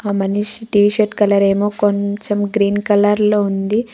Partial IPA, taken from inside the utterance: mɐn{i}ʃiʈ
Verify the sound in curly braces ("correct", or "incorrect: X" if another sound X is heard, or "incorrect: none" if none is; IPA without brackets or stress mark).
correct